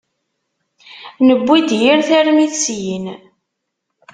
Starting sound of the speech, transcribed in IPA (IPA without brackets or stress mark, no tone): n